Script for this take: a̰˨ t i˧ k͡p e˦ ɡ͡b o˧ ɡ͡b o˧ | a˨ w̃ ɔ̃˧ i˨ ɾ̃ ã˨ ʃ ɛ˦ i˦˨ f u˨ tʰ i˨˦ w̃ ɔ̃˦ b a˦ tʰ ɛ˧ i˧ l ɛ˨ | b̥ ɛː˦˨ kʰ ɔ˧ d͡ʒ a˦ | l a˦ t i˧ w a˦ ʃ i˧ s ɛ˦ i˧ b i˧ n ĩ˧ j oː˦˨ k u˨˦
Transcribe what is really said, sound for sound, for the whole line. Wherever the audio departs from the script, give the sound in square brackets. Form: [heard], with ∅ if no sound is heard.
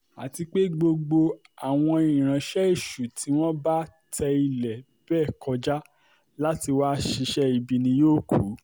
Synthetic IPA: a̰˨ t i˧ k͡p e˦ ɡ͡b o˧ ɡ͡b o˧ | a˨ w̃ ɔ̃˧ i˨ ɾ̃ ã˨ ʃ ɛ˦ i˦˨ [ʃ] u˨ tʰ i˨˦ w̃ ɔ̃˦ b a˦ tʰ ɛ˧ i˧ l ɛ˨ | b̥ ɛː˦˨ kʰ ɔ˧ d͡ʒ a˦ | l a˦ t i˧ w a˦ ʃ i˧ [ʃ] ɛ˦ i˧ b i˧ n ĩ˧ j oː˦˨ k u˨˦